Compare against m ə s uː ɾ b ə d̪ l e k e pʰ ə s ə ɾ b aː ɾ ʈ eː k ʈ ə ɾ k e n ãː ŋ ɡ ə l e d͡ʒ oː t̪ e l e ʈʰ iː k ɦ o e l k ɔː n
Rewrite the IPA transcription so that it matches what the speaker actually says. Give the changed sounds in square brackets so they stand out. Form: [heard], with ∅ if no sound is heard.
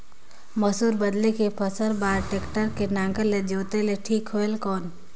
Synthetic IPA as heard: m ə s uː ɾ b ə d̪ l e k e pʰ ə s ə ɾ b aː ɾ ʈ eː k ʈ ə ɾ k e n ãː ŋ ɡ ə l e d͡ʒ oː t̪ e l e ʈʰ iː k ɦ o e l k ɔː n